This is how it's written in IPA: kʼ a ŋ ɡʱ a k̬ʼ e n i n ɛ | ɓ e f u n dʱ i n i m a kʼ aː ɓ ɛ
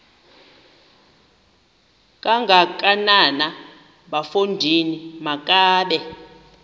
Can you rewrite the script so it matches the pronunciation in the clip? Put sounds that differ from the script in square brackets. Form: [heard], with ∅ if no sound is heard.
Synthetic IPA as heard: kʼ a ŋ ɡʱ a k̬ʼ [a] n [a] n [a] | ɓ [a] f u n dʱ i n i m a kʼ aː ɓ ɛ